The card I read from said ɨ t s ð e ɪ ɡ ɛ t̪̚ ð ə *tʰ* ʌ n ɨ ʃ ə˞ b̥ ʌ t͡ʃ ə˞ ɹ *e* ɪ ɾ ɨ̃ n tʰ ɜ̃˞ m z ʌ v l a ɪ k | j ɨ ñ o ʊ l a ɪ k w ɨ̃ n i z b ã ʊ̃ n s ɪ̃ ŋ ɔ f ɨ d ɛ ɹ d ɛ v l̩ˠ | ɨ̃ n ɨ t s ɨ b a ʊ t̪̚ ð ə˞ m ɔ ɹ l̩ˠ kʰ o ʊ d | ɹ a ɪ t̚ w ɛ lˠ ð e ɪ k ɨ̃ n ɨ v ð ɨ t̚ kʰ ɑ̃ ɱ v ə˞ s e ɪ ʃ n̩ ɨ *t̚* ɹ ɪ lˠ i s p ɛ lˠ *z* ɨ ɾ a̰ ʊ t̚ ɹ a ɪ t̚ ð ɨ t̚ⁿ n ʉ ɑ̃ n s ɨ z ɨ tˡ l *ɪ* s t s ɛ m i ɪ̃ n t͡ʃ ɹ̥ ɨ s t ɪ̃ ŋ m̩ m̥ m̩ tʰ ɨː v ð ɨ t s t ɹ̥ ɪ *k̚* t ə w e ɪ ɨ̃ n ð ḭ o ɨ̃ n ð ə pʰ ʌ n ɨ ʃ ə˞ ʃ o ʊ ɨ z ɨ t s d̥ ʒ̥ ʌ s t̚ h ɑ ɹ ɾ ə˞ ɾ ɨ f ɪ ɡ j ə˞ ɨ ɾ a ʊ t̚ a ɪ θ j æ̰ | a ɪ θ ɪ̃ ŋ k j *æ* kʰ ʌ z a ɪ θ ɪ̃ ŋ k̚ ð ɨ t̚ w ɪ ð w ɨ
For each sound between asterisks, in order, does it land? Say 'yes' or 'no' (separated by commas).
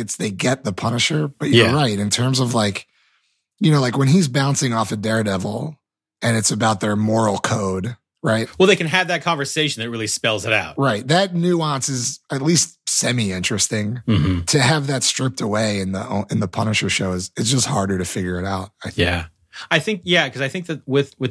no, no, yes, yes, no, no, yes